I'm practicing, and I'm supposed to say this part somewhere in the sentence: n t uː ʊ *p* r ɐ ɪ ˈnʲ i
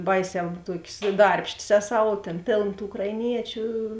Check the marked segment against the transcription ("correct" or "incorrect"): incorrect